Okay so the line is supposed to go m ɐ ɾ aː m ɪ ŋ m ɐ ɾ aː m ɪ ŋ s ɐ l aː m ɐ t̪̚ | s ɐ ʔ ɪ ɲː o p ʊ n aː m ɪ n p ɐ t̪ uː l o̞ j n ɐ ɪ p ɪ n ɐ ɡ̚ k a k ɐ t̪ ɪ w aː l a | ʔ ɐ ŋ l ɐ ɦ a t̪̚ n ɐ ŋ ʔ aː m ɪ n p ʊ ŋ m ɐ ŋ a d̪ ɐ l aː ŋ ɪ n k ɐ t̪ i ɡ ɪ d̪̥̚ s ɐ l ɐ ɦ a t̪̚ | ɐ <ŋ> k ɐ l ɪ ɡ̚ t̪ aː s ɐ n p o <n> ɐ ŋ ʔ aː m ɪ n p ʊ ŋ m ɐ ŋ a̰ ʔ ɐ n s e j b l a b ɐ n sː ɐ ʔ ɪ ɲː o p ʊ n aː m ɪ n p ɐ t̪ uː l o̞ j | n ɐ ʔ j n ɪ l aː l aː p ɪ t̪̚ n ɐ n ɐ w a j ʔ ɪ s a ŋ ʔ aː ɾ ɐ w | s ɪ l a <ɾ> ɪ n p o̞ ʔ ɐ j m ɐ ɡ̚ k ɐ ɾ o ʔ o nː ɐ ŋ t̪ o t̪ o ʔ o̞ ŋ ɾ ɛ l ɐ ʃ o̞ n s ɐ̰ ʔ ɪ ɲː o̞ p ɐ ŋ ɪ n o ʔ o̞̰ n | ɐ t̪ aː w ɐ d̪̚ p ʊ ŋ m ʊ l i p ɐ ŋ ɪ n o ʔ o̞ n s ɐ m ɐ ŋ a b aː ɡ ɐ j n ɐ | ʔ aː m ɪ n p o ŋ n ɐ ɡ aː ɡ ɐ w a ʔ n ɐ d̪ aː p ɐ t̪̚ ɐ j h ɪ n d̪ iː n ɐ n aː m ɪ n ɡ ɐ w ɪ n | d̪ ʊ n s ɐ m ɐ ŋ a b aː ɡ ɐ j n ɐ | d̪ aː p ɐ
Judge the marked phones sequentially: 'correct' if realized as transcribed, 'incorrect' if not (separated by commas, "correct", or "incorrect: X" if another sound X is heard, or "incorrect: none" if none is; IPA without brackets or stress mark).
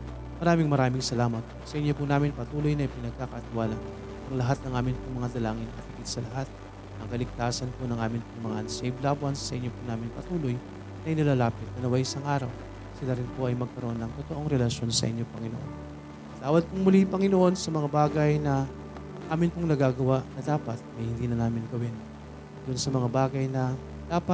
correct, correct, correct